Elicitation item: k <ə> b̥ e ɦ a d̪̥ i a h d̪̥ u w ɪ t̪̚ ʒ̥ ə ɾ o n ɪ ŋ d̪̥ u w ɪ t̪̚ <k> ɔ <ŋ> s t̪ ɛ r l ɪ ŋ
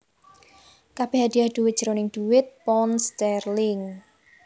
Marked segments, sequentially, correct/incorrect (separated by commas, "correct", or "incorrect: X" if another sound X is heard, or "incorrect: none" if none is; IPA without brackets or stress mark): incorrect: a, incorrect: p, incorrect: n